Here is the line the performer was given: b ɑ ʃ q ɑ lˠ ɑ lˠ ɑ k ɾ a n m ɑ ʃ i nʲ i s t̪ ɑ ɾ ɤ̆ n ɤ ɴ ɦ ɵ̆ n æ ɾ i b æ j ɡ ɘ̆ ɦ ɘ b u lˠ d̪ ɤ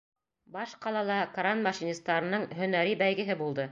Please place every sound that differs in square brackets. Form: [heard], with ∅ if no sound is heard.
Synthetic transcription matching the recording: b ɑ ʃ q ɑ lˠ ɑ lˠ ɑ k ɾ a n m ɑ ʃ i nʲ i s t̪ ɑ ɾ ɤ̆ n ɤ ɴ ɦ ɵ̆ n æ ɾ i b æ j ɡ ɘ̆ ɦ ɘ b u lˠ d̪ ɤ